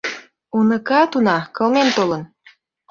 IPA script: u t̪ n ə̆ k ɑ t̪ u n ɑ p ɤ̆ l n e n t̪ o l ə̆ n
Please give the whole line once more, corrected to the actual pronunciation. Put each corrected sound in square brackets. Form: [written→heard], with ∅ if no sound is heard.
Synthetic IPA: u [t̪→∅] n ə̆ k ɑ t̪ u n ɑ [p→k] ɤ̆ l [n→m] e n t̪ o l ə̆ n